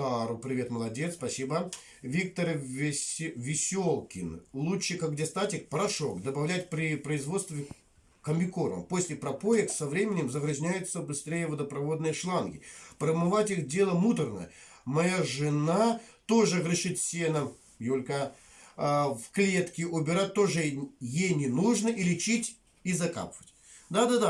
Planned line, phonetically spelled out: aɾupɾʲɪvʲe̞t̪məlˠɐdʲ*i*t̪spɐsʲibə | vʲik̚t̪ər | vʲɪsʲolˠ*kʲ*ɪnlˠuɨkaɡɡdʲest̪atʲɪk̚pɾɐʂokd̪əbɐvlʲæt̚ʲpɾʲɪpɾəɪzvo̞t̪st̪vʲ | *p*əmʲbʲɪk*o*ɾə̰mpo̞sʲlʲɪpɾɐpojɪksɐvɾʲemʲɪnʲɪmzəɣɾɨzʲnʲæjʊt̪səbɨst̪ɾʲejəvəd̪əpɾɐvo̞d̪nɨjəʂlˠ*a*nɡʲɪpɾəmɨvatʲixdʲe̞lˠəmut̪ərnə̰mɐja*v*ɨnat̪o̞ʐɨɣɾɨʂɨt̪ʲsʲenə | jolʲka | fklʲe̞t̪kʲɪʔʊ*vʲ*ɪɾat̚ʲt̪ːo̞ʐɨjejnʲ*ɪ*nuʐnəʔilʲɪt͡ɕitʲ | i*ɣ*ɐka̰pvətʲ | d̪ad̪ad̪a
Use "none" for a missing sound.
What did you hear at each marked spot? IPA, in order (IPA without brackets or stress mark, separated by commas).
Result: e, kʲ, k, o, a, ʐ, bʲ, ɪ, z